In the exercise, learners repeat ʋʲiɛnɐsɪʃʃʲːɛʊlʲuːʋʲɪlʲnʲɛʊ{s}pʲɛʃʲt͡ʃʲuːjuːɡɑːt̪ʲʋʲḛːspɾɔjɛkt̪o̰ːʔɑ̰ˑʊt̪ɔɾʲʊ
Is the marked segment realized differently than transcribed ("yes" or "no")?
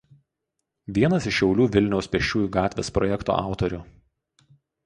no